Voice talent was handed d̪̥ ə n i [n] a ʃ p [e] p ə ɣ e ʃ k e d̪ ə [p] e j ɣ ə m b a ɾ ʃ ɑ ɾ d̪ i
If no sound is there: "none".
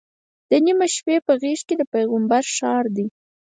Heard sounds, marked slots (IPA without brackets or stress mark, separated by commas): m, e, p